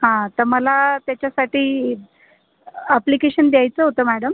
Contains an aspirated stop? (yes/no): no